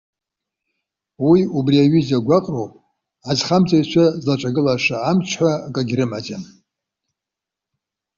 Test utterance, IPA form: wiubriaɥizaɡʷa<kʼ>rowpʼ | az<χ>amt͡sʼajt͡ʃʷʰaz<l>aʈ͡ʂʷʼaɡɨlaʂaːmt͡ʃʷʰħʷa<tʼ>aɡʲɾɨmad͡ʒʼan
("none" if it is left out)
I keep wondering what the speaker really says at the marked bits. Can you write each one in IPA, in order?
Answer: qʼ, χ, l, kʼ

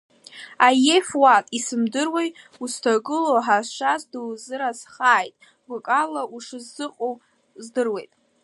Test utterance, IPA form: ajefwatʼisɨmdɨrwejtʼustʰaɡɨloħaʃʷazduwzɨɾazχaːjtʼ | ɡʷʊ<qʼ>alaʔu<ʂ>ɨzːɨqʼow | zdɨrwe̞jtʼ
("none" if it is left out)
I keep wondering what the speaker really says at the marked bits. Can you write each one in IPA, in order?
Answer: kʼ, ʂ

